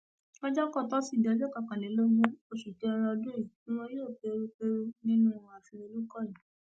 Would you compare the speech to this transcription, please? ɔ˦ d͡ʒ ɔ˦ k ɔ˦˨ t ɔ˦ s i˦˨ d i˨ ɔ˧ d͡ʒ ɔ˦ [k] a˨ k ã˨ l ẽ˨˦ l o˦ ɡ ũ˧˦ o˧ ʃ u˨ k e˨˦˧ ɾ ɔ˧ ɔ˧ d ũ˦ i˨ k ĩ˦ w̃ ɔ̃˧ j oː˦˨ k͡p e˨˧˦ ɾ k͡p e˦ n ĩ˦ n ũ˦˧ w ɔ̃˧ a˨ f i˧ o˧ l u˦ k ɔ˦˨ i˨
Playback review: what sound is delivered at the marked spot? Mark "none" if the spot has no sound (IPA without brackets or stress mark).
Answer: k